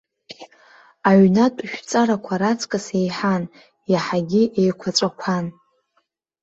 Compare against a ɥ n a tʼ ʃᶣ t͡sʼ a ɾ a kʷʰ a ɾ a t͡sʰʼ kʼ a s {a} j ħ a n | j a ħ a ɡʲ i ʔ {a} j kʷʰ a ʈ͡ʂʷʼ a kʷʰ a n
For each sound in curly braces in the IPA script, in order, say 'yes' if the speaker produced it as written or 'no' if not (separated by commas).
no, no